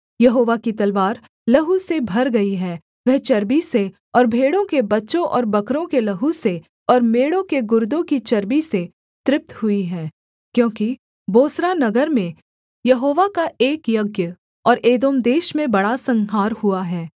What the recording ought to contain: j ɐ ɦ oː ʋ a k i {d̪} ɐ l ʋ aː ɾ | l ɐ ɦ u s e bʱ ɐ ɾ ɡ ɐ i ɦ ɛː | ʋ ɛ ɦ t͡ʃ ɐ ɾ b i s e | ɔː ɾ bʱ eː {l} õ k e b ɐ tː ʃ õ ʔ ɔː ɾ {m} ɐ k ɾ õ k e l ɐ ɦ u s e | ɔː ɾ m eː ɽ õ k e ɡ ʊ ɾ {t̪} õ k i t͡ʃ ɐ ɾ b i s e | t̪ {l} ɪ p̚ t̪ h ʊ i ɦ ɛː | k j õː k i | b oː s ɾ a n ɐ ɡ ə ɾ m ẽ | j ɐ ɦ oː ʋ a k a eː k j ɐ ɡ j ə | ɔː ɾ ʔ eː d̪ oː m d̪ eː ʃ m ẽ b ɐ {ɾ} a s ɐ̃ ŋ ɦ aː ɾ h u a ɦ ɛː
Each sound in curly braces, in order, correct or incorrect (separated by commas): incorrect, incorrect, incorrect, incorrect, incorrect, incorrect